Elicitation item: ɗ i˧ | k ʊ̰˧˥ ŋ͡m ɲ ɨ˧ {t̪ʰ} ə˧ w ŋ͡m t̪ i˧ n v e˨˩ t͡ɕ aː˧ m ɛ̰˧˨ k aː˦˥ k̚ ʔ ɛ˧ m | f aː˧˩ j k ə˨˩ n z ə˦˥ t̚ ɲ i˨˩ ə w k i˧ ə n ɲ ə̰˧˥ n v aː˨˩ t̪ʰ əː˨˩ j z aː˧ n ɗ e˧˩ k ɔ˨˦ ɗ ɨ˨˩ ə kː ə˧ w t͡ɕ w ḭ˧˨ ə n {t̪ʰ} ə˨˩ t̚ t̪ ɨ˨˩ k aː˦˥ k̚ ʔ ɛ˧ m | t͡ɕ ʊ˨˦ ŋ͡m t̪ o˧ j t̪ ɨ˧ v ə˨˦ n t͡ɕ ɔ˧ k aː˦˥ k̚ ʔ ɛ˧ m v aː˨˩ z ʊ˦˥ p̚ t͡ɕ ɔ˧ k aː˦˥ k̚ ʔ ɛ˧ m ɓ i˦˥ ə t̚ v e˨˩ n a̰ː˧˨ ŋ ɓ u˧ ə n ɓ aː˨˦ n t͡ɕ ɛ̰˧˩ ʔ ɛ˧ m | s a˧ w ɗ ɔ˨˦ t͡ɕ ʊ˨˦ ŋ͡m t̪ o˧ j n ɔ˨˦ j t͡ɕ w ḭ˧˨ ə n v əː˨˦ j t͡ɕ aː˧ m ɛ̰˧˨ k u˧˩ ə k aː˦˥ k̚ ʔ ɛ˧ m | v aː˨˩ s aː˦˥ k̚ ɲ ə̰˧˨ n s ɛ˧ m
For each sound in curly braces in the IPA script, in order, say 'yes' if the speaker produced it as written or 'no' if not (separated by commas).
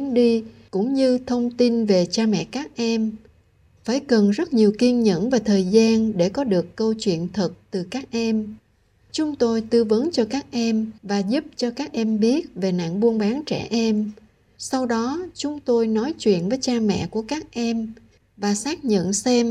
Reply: yes, yes